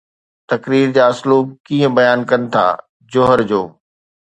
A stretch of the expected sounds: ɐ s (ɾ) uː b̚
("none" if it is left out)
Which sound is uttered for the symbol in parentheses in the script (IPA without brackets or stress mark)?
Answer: l